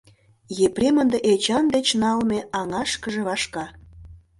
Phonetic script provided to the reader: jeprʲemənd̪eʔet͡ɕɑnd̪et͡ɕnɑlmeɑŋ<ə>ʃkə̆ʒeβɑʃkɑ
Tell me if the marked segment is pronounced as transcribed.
no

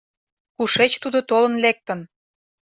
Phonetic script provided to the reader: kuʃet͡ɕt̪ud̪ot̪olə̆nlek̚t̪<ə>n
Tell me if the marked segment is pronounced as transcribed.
yes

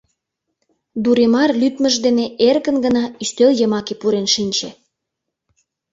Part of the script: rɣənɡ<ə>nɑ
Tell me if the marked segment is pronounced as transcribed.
yes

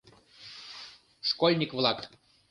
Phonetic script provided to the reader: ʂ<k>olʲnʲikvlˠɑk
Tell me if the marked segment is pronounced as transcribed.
yes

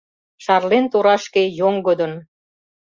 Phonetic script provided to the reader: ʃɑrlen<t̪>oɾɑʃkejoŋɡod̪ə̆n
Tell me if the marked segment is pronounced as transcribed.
yes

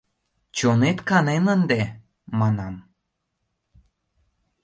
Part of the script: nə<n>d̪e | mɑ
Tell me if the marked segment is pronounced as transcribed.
yes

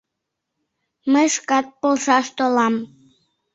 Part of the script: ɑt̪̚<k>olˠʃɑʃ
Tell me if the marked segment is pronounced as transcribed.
no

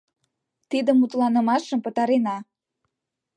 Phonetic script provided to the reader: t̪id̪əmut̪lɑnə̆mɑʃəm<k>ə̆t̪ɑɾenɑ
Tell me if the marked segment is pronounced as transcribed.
no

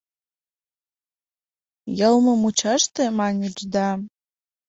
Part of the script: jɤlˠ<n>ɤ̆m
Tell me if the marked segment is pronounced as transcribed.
no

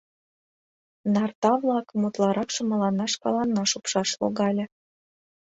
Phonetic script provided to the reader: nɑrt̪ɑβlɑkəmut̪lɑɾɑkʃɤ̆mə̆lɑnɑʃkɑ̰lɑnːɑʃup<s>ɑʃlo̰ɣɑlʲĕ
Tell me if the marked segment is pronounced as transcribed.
no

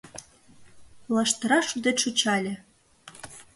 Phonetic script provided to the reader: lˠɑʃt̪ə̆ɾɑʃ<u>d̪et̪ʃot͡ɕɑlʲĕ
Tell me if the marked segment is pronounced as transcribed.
yes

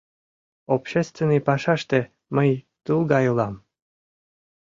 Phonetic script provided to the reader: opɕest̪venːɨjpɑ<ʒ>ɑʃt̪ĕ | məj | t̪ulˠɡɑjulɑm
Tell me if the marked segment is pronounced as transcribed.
no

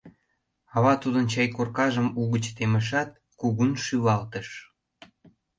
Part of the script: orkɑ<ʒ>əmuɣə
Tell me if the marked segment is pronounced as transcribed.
yes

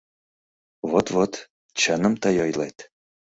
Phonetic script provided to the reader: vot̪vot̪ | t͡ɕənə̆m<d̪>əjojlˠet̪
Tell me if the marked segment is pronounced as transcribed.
no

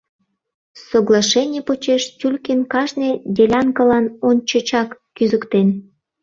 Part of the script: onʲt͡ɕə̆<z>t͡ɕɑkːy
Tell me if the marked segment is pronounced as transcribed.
no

